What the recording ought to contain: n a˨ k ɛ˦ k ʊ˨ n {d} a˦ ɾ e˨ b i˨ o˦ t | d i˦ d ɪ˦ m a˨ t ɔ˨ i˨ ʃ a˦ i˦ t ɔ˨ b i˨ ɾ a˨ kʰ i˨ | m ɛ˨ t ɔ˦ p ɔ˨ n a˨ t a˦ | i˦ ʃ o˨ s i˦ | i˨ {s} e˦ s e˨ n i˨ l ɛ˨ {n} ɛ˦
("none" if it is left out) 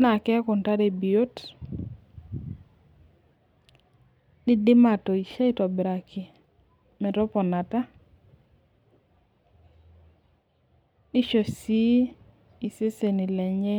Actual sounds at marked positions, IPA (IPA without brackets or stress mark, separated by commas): t, s, ɲ